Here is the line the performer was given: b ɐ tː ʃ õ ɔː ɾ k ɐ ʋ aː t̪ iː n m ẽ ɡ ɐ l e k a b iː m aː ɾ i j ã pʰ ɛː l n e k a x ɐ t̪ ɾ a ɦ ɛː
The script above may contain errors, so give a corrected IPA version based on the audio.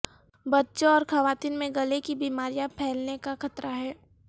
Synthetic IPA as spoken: b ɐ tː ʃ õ ɔː ɾ x ɐ ʋ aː t̪ iː n m ẽ ɡ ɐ l e k i b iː m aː ɾ i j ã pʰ ɛː l n e k a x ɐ t̪ ɾ a ɦ ɛː

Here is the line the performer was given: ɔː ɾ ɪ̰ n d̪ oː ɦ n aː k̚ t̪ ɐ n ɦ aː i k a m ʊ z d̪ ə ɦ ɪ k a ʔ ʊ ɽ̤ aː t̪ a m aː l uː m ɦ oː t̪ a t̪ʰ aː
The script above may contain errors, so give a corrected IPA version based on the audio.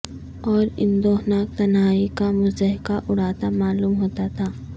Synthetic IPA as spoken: ɔː ɾ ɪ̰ n d̪ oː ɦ n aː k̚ t̪ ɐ n ɦ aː i k a m ʊ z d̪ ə ɦ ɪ k a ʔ ʊ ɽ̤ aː t̪ a m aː l uː m ɦ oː t̪ a t̪ʰ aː

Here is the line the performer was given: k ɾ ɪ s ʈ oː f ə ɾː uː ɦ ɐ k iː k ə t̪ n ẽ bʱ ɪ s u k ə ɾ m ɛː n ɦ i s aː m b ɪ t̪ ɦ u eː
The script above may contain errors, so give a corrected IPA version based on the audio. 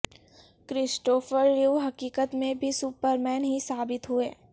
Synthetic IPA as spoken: k ɾ ɪ s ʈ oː f ə ɾː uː ɦ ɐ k iː k ə t̪ m ẽ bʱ i s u p ə ɾ m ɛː n ɦ i s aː b ɪ t̪ ɦ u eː

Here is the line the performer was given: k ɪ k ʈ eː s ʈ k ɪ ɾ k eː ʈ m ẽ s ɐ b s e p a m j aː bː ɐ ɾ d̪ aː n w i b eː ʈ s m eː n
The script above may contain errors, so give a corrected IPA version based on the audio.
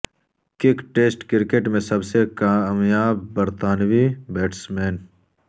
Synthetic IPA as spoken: k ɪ k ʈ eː s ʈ k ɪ ɾ k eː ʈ m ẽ s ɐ b s e k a m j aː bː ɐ ɾ t̪ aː n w i b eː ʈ s m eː n

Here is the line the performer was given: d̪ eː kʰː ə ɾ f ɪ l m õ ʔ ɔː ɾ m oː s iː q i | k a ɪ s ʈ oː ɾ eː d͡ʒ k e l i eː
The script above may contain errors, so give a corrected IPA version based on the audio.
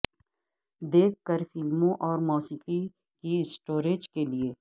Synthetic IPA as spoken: d̪ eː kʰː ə ɾ f ɪ l m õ ʔ ɔː ɾ m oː s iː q i | k i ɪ s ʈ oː ɾ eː d͡ʒ k e l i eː

